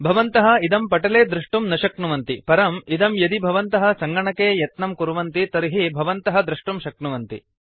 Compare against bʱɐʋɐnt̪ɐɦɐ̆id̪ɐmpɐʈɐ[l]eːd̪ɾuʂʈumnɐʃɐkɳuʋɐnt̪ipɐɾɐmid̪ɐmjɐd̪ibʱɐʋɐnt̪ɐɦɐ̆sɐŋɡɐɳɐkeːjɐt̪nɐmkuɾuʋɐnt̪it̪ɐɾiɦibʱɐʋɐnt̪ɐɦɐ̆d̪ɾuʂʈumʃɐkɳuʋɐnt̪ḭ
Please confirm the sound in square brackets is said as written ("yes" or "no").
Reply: yes